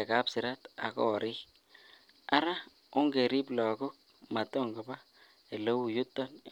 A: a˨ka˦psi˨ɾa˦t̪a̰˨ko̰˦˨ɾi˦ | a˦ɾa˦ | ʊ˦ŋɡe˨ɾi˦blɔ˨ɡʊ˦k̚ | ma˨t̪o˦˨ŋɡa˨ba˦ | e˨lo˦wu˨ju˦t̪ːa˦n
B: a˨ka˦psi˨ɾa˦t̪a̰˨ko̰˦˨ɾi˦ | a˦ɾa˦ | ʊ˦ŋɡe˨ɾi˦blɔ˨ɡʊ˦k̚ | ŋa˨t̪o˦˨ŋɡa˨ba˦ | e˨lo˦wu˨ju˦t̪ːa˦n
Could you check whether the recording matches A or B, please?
A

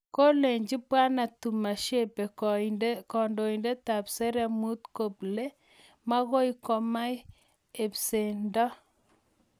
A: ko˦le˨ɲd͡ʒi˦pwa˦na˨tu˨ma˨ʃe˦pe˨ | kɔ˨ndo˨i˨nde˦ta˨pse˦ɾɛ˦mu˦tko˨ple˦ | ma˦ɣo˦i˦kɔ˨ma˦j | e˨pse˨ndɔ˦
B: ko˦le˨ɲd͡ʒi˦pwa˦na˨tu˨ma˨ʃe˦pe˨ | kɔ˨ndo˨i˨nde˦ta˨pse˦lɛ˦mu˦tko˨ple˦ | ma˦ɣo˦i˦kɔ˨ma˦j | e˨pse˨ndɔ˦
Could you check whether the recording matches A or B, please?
A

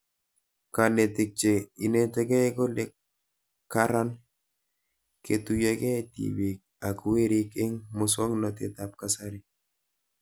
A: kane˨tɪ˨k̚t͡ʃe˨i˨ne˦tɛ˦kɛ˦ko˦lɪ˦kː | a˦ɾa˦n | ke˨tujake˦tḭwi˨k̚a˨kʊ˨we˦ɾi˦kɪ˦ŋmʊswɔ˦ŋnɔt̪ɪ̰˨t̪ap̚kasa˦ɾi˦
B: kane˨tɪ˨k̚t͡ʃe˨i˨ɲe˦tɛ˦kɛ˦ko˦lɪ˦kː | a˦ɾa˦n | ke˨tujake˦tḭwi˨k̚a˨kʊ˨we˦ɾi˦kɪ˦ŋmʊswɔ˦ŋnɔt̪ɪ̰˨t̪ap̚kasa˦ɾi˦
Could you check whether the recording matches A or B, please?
A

